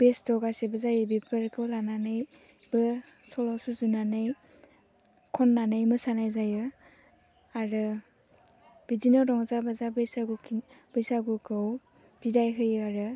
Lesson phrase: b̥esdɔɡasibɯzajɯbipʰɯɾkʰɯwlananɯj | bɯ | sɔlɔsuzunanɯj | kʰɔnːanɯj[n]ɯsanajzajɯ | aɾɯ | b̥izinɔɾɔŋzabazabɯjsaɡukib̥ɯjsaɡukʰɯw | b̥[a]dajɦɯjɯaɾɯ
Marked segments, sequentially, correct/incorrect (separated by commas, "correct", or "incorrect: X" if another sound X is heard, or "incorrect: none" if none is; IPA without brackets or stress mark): incorrect: m, incorrect: i